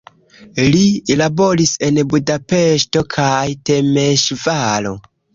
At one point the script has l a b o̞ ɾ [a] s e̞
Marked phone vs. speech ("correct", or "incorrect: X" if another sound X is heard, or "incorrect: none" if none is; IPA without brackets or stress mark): incorrect: i